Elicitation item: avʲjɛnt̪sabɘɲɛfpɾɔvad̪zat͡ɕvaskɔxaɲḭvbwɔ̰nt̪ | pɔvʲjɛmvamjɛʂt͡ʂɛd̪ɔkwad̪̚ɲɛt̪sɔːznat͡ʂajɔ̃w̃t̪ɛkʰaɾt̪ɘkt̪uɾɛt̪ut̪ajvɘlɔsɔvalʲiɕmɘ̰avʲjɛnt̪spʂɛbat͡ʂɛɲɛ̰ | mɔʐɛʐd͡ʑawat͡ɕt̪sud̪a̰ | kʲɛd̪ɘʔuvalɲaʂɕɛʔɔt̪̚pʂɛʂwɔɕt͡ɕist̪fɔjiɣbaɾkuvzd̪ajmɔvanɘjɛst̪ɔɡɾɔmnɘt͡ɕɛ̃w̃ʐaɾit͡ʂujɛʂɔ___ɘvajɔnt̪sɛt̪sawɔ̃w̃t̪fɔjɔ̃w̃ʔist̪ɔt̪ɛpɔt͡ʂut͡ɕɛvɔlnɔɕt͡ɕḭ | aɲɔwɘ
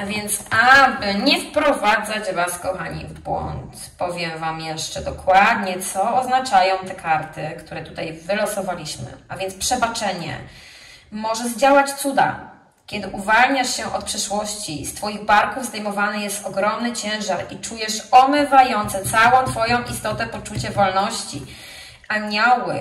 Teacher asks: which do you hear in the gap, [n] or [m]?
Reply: m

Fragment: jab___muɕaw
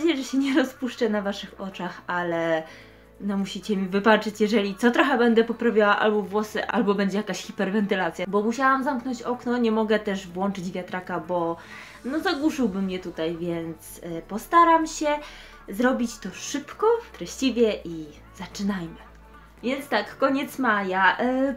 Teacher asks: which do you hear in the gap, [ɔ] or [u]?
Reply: ɔ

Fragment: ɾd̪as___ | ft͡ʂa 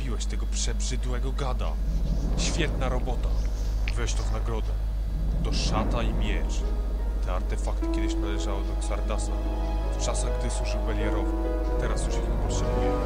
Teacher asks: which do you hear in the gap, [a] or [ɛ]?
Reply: a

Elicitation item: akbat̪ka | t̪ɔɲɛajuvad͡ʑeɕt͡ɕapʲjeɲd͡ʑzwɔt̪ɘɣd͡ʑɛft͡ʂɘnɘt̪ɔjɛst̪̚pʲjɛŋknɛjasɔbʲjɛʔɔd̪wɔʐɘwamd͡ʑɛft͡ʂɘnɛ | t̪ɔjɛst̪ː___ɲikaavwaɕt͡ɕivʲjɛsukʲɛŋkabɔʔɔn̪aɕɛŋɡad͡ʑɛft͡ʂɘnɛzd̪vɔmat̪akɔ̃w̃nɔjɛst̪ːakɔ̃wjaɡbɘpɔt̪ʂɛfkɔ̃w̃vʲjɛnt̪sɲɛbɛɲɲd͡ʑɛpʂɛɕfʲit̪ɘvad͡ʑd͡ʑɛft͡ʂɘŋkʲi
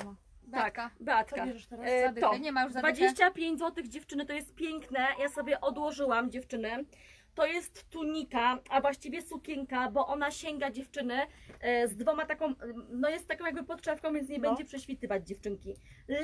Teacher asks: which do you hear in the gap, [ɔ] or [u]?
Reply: u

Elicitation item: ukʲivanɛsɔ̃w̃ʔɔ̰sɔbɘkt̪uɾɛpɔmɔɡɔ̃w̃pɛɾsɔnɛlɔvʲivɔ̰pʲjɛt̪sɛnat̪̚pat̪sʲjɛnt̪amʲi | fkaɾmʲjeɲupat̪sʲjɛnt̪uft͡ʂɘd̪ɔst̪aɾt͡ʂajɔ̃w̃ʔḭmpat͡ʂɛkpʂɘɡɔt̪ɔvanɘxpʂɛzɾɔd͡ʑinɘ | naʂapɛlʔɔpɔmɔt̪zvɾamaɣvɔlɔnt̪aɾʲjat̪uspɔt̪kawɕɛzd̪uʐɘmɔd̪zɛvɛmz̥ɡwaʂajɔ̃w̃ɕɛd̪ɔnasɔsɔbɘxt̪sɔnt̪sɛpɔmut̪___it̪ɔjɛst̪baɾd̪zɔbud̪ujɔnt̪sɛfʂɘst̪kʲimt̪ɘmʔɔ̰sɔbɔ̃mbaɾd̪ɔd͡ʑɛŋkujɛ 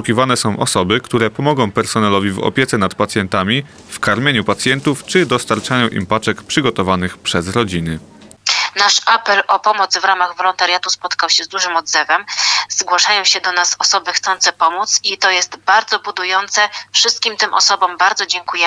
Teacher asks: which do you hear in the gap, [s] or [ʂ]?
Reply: s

